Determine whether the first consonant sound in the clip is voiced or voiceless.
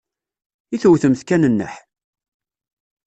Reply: voiceless